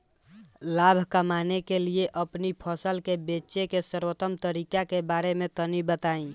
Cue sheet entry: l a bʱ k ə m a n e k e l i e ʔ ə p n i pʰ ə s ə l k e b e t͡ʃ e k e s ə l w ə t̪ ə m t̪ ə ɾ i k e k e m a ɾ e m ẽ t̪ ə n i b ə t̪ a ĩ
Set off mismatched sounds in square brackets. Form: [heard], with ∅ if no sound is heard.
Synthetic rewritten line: l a bʱ k ə m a n e k e l i e ʔ ə p n i pʰ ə s ə l k e b e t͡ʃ e k e s ə [ɾ] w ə t̪ ə m t̪ ə ɾ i k [a] k e [b] a ɾ e m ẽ t̪ ə n i b ə t̪ a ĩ